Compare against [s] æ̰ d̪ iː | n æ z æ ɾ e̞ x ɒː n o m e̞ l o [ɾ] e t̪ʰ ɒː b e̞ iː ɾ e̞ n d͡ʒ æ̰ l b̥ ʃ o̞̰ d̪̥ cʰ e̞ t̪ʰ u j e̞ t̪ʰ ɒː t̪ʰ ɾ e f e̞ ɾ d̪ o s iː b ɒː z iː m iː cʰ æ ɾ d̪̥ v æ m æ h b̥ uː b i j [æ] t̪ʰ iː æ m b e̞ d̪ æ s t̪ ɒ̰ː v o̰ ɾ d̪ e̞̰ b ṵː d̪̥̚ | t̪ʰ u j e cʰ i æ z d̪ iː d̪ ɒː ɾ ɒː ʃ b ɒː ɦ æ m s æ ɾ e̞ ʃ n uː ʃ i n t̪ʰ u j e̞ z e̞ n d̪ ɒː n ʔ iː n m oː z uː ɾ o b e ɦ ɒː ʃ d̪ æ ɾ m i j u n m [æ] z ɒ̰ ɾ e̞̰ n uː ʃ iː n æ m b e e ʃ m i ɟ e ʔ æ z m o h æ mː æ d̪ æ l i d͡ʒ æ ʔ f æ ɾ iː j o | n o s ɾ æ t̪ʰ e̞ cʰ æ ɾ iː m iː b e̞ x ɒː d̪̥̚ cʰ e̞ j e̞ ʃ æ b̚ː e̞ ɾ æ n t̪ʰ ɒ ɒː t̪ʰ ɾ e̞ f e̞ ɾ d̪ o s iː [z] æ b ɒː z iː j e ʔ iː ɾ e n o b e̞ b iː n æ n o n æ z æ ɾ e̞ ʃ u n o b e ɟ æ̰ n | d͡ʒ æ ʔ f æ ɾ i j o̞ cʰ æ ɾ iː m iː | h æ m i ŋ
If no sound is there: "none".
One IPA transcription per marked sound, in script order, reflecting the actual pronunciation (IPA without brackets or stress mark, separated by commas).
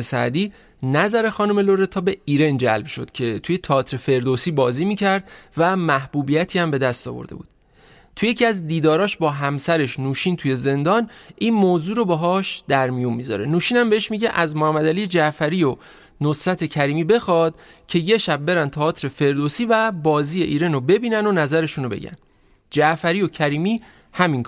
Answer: s, ɾ, æ, i, v